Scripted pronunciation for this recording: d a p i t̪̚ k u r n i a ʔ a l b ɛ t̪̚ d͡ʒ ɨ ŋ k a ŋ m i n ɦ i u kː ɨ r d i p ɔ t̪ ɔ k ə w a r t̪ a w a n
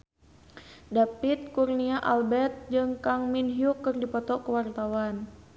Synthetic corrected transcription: d a p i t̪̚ k u r n i a ʔ a l b ɛ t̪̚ d͡ʒ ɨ ŋ k a ŋ m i n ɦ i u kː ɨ r d i p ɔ t̪ ɔ k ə w a r t̪ a w a n

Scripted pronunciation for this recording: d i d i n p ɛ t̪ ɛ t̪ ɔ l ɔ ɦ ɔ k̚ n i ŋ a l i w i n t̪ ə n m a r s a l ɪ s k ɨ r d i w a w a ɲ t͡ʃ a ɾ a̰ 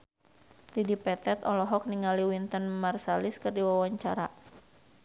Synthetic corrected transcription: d i d i p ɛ t̪ ɛ t̪ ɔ l ɔ ɦ ɔ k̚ n i ŋ a l i w i n t̪ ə n m a r s a l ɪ s k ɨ r d i w a w a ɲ t͡ʃ a ɾ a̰

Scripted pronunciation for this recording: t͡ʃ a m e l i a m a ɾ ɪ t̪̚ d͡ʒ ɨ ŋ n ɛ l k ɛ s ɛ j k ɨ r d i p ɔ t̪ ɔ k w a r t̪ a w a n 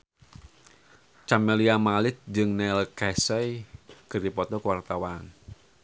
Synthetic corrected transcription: t͡ʃ a m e l i a m a l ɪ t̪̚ d͡ʒ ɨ ŋ n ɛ l k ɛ s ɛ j k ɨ r d i p ɔ t̪ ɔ k w a r t̪ a w a n

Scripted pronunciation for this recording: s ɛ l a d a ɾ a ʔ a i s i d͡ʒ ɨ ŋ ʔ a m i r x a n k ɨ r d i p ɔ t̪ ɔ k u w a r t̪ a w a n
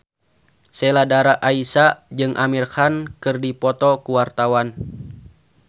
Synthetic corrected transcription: s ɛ l a d a ɾ a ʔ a i s a d͡ʒ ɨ ŋ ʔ a m i r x a n k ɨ r d i p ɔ t̪ ɔ k u w a r t̪ a w a n

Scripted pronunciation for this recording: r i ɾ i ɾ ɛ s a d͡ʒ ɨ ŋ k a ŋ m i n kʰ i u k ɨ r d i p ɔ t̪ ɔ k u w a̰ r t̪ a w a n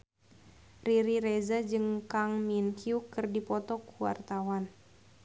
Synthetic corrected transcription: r i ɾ i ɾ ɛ z a d͡ʒ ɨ ŋ k a ŋ m i n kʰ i u k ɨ r d i p ɔ t̪ ɔ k u w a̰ r t̪ a w a n

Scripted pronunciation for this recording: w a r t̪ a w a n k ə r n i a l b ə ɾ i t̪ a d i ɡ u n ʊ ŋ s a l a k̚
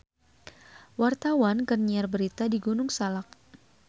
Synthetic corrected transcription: w a r t̪ a w a n k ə r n i a r b ə ɾ i t̪ a d i ɡ u n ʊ ŋ s a l a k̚

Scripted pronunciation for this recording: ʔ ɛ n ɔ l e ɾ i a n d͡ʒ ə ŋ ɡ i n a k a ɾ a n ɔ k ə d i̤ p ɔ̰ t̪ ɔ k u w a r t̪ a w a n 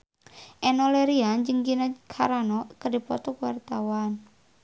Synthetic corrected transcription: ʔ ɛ n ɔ l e ɾ i a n d͡ʒ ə ŋ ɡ i n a kʰ a ɾ a n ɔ k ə d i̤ p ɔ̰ t̪ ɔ k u w a r t̪ a w a n

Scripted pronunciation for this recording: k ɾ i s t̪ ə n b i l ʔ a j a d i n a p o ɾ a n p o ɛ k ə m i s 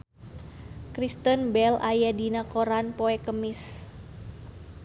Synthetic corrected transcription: k ɾ i s t̪ ə n b ɛ l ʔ a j a d i n a k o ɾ a n p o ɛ k ə m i s

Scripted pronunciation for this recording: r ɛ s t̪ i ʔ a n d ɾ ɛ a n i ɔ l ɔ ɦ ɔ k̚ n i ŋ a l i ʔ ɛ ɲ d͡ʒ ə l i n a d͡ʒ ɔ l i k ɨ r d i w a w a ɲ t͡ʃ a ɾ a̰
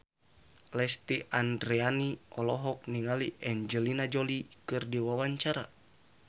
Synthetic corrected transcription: l ɛ s t̪ i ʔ a n d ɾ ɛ a n i ɔ l ɔ ɦ ɔ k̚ n i ŋ a l i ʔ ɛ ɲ d͡ʒ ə l i n a d͡ʒ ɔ l i k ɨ r d i w a w a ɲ t͡ʃ a ɾ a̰

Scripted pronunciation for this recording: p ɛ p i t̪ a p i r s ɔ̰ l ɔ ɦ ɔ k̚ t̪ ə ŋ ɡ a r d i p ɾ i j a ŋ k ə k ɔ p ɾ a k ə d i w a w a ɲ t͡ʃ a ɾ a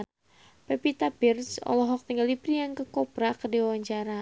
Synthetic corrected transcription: p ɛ p i t̪ a p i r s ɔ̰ l ɔ ɦ ɔ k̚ t̪ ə ŋ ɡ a l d i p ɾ i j a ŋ k ə k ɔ p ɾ a k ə d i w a w a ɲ t͡ʃ a ɾ a

